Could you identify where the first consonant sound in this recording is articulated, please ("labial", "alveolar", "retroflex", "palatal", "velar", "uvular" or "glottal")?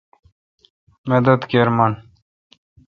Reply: labial